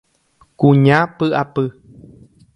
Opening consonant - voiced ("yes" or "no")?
no